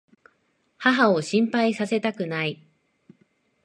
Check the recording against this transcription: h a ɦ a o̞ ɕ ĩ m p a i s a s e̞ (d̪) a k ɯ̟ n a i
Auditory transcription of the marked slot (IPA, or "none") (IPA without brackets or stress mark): t̪